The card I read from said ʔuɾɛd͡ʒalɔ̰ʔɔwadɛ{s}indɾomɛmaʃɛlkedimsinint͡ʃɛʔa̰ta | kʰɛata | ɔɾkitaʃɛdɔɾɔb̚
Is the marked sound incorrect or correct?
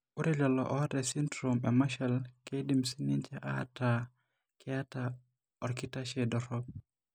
correct